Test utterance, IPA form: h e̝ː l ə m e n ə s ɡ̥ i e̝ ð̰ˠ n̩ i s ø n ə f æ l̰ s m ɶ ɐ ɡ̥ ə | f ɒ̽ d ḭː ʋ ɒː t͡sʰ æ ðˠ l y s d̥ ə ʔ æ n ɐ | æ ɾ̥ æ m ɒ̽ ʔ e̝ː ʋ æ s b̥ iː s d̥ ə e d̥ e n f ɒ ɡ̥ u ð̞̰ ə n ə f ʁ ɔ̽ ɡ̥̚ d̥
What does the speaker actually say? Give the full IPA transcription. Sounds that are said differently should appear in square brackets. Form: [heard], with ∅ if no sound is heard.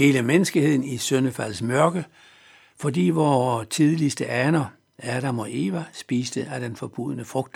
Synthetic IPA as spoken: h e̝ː l ə m e n ə s ɡ̥ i e̝ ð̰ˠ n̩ i s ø n ə f æ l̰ s m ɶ ɐ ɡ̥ ə | f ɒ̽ d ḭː ʋ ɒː t͡sʰ [i] ðˠ l [i] s d̥ ə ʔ æ n ɐ | æ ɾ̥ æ m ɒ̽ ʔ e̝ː ʋ æ s b̥ iː s d̥ ə [æ] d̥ e n f ɒ [b̥] u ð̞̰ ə n ə f ʁ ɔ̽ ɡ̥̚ d̥